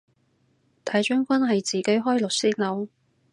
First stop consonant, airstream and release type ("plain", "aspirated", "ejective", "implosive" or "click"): aspirated